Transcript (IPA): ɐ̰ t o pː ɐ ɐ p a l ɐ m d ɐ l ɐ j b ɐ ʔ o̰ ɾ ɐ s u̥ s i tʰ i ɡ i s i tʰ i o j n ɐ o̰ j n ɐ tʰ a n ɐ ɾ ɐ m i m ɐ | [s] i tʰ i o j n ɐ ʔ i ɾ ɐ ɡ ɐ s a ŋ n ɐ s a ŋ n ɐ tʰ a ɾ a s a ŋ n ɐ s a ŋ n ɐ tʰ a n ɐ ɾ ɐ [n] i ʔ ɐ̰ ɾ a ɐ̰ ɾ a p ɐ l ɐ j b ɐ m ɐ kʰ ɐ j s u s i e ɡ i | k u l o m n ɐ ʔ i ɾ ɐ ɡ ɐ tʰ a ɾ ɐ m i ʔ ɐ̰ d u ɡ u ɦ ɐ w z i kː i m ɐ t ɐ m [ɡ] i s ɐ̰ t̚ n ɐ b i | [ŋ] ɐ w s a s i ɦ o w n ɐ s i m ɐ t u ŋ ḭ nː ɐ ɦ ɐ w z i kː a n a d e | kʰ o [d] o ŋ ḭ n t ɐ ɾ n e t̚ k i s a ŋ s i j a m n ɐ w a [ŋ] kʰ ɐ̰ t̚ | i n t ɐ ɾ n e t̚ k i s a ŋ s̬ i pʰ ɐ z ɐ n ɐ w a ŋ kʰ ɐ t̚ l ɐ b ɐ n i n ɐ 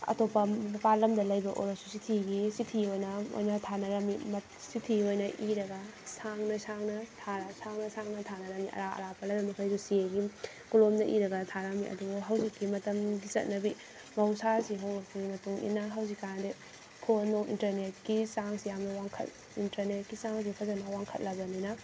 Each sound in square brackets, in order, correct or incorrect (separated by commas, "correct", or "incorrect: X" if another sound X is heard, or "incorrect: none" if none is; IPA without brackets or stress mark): correct, incorrect: m, correct, incorrect: m, incorrect: n, correct